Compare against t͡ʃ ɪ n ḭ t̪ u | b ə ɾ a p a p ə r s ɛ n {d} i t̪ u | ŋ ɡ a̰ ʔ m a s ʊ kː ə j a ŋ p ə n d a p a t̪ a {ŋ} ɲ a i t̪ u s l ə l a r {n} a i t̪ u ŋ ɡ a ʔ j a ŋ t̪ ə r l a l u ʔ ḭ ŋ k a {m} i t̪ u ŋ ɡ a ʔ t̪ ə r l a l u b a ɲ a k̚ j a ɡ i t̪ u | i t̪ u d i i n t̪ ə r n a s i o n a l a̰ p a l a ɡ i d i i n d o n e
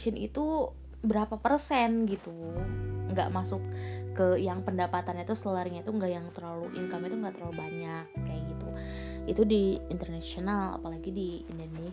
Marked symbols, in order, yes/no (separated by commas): no, no, no, yes